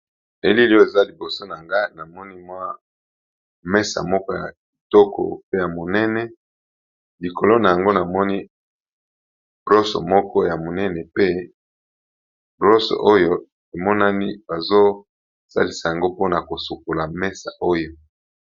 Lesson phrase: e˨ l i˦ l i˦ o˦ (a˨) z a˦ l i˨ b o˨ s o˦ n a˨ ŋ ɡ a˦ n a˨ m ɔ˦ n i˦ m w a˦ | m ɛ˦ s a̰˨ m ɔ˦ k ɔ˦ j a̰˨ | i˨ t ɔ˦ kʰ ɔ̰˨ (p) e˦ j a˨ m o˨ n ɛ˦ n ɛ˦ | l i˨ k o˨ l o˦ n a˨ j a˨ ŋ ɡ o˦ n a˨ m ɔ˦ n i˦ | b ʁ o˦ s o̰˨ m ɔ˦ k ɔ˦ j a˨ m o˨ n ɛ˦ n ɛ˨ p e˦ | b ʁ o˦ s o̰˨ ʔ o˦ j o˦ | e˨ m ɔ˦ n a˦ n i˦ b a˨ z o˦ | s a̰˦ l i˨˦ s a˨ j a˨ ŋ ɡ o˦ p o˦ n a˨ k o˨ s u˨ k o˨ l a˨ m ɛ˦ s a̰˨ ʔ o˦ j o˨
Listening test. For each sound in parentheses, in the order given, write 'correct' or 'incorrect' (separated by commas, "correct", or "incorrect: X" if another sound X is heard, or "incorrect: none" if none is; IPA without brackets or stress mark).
incorrect: e˨, correct